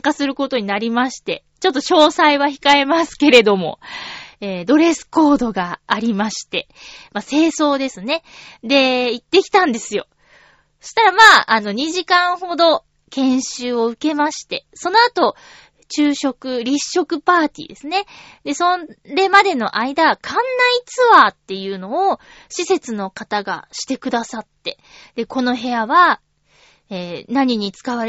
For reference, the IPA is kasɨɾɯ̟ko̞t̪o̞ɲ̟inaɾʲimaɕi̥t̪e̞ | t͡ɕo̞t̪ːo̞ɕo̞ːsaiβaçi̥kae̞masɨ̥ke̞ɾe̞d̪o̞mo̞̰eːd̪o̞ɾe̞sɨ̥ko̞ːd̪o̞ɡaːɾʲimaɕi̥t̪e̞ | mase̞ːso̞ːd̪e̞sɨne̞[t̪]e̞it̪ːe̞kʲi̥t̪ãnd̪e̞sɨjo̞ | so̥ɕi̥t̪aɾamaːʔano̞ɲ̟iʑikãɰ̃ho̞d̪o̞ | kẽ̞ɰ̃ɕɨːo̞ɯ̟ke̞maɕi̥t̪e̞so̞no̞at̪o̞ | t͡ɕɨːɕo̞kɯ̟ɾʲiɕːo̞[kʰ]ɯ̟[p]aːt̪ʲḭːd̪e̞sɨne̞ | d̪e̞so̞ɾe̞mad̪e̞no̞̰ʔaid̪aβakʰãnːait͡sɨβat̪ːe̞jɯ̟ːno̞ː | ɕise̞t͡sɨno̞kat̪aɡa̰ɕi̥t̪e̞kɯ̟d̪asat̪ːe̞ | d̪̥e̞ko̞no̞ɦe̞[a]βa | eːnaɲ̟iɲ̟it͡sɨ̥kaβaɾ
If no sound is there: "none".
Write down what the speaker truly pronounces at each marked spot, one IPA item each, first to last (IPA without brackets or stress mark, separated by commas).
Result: d̪, k, p, a